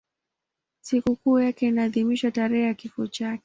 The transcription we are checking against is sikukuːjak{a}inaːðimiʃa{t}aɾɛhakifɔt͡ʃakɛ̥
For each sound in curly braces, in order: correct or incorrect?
incorrect: ɛ, correct

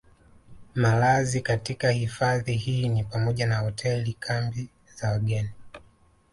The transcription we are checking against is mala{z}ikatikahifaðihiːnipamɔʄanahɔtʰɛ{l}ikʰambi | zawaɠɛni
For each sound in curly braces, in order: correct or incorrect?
correct, correct

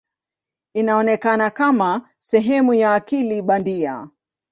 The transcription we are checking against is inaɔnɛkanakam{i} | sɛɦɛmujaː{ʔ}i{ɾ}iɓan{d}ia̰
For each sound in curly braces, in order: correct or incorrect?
incorrect: a, incorrect: k, incorrect: l, correct

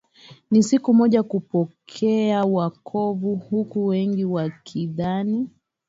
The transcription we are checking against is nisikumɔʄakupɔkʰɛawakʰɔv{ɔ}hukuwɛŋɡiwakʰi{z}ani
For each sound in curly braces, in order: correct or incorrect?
incorrect: u, incorrect: ð

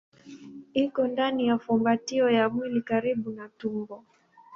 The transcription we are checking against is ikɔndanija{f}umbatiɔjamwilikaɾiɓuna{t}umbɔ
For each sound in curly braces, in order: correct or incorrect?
correct, correct

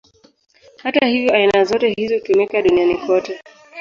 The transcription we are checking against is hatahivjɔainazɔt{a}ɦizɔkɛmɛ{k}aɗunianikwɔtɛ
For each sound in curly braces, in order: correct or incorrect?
incorrect: ɛ, correct

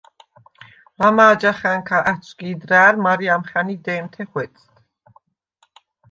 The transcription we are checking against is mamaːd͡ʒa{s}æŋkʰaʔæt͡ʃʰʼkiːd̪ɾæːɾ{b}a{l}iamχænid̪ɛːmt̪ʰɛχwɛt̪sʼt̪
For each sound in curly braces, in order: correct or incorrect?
incorrect: χ, incorrect: m, incorrect: ɾ

